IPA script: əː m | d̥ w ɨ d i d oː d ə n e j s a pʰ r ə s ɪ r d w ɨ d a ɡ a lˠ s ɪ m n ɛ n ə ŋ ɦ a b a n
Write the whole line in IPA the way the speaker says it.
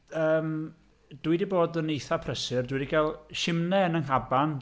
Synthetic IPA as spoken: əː m | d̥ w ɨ d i b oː d ə n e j θ a pʰ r ə s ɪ r d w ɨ d i ɡ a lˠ ʃ ɪ m n ɛ n ə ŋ ɦ a b a n